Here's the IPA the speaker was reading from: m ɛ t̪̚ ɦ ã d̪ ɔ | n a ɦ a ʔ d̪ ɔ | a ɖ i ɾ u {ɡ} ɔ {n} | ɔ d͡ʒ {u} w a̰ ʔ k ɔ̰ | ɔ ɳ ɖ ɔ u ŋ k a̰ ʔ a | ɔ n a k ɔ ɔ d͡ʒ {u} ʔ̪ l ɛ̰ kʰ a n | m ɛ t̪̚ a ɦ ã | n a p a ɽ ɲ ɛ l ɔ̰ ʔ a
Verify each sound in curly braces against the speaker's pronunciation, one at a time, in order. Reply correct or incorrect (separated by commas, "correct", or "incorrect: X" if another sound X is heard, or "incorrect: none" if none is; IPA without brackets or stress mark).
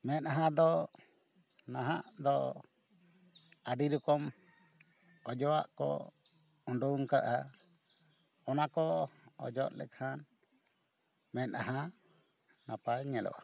incorrect: k, incorrect: m, incorrect: ɔ, incorrect: ɔ